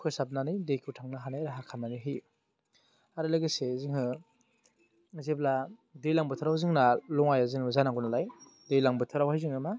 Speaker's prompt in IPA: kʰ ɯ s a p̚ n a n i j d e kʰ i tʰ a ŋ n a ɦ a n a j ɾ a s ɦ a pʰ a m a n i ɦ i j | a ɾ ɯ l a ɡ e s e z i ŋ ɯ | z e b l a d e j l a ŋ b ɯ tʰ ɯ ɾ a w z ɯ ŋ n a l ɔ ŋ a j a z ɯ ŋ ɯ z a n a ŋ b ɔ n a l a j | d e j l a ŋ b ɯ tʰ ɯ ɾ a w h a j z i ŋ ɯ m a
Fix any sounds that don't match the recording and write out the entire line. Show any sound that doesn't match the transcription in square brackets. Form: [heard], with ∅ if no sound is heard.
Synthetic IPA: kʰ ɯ s a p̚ n a n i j d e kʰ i tʰ a ŋ n a ɦ a n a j ɾ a [∅] ɦ a [kʰ] a m a n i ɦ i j | a ɾ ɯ l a ɡ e s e z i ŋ ɯ | z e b l a d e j l a ŋ b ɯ tʰ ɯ ɾ a w z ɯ ŋ n a l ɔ ŋ a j a z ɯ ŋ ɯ z a n a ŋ [ɡ] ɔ n a l a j | d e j l a ŋ b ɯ tʰ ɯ ɾ a w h a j z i ŋ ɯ m a